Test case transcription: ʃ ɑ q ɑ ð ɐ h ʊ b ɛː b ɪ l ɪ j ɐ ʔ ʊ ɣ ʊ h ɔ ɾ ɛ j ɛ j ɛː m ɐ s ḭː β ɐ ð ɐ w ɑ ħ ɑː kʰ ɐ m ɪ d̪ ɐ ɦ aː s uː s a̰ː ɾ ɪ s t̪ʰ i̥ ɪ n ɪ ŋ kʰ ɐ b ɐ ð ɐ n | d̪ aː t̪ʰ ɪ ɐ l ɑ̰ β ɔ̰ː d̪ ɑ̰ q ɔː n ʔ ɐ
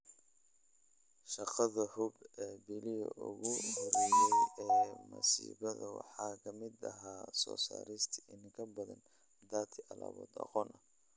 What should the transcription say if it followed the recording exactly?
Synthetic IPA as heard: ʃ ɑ q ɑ ð ɐ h ʊ b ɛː b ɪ l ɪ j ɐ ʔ ʊ ɣ ʊ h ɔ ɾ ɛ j ɛ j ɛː m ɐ s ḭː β ɐ ð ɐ w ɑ ħ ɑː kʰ ɐ m ɪ d̪ ɐ ɦ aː s ɔː s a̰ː ɾ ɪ s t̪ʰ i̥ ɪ n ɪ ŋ kʰ ɐ b ɐ ð ɐ n | d̪ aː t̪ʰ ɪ ɐ l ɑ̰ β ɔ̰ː d̪ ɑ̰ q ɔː n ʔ ɐ